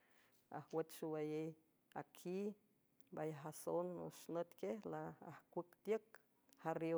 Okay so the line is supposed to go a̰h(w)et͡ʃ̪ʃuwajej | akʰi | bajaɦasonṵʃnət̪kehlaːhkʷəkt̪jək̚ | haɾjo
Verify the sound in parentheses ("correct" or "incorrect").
correct